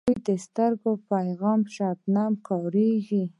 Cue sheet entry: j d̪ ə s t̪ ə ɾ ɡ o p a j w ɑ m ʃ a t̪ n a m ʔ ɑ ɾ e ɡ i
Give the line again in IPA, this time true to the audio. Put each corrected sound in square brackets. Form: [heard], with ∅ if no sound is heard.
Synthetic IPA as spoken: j d̪ ə s t̪ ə ɾ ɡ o p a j [ɣ] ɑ m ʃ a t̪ n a m [k] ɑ ɾ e ɡ i